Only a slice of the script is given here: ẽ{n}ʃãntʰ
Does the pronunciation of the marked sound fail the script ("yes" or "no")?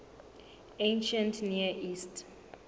no